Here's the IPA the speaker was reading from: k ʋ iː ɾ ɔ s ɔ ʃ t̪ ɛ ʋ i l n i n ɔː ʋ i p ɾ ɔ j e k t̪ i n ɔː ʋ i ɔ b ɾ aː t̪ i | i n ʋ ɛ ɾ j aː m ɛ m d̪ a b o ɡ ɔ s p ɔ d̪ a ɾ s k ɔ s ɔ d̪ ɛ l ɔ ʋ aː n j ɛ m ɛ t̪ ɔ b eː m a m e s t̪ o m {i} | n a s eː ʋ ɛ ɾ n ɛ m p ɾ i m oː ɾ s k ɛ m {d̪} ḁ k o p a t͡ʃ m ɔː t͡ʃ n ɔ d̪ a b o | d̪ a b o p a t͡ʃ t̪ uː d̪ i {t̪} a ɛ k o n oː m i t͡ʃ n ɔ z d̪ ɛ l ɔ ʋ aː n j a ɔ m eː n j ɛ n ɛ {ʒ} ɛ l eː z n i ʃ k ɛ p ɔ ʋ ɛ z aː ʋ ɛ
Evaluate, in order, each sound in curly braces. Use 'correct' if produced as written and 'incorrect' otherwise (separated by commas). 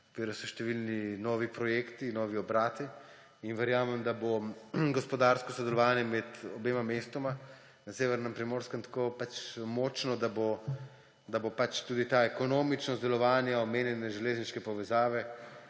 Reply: incorrect, incorrect, correct, correct